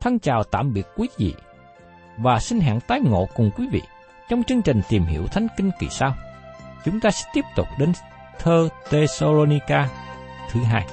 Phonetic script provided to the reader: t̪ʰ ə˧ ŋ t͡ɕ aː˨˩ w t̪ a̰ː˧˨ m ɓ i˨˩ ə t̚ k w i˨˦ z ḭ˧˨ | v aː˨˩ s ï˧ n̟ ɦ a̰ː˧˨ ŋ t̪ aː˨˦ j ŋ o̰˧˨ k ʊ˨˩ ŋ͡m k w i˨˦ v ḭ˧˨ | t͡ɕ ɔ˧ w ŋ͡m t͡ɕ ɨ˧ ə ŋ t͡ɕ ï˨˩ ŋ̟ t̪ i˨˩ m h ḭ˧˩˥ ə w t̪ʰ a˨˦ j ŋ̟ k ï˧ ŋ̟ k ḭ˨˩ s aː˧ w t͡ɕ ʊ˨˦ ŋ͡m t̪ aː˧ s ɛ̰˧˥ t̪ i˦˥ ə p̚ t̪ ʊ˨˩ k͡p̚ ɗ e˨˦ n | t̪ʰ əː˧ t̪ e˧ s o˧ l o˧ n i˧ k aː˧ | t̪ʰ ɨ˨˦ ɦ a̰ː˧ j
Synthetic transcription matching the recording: t̪ʰ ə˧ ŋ t͡ɕ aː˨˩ w t̪ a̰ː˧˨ m ɓ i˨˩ ə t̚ k w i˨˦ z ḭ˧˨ | v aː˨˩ s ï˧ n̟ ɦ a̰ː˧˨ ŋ t̪ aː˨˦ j ŋ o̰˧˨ k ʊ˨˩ ŋ͡m k w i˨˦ v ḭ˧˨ | t͡ɕ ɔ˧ w ŋ͡m t͡ɕ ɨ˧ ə ŋ t͡ɕ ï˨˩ ŋ̟ t̪ i˨˩ m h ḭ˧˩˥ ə w t̪ʰ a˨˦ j ŋ̟ k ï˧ ŋ̟ k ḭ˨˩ s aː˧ w t͡ɕ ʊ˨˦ ŋ͡m t̪ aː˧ s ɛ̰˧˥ t̪ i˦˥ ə p̚ t̪ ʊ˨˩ k͡p̚ ɗ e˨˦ n | t̪ʰ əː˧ t̪ e˧ s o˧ l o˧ n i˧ k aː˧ | t̪ʰ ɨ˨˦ ɦ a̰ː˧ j